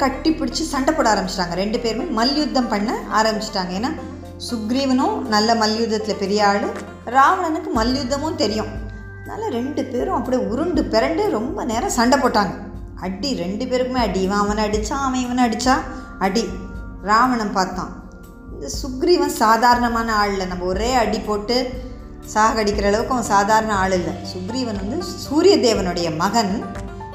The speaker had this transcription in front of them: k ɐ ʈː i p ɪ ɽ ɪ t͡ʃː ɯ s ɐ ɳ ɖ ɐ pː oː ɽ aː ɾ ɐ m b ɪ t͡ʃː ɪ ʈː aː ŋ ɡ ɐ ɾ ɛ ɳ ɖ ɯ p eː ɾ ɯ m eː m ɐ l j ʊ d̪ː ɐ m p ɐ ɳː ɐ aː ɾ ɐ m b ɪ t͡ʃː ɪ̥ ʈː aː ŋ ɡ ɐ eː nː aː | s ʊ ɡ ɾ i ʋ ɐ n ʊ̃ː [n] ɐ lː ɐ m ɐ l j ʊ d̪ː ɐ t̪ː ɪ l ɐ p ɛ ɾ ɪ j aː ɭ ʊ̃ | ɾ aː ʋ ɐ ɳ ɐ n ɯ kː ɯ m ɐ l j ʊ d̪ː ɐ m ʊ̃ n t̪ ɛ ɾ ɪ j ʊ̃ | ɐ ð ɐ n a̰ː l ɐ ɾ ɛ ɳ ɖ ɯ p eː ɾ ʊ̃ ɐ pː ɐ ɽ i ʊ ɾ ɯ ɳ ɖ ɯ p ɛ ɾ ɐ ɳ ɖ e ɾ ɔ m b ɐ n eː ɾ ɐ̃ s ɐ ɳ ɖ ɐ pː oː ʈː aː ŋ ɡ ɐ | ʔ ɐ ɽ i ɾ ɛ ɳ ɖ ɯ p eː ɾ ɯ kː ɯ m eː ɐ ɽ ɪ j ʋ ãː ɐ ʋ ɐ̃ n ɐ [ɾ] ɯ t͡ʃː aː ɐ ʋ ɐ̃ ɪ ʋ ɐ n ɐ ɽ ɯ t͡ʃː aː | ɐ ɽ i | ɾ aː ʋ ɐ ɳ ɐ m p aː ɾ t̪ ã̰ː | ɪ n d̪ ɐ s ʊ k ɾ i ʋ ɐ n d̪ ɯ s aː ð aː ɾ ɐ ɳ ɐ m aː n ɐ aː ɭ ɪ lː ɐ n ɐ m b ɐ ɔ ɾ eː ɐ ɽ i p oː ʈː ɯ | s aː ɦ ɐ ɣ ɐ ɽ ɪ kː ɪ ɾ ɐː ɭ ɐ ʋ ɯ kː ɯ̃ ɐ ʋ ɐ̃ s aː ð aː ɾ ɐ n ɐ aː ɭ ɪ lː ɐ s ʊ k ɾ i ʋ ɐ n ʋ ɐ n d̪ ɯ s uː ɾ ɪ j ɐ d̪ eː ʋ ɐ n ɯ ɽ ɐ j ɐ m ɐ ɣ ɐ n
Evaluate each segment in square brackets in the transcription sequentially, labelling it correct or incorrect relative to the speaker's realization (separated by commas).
correct, incorrect